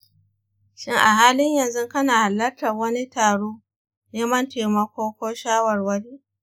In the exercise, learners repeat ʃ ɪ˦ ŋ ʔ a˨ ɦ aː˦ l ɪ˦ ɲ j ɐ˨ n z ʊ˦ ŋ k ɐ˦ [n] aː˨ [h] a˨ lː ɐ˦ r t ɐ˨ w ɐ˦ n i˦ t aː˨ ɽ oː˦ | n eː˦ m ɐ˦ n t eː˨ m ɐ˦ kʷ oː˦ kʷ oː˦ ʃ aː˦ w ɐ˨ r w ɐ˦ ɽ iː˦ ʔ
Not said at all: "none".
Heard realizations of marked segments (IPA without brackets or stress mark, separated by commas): n, h